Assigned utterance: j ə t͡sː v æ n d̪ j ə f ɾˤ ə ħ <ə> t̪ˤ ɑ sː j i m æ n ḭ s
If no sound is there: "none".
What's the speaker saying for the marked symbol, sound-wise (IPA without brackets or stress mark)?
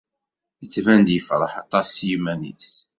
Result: ɑ